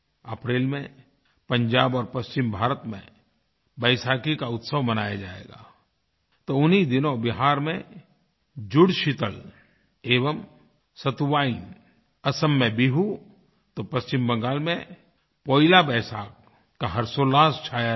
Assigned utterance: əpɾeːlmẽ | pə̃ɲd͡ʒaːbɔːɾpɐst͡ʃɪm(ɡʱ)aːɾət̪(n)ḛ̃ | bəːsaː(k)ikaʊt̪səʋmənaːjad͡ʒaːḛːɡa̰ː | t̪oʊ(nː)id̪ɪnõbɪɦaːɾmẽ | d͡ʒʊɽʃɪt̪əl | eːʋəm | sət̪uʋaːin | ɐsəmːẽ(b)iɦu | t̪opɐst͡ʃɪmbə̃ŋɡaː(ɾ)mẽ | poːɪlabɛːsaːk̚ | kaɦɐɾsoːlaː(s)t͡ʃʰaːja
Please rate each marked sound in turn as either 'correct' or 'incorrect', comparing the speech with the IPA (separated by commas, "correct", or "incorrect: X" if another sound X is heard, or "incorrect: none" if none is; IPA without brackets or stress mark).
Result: incorrect: bʱ, incorrect: m, correct, incorrect: n, correct, incorrect: l, correct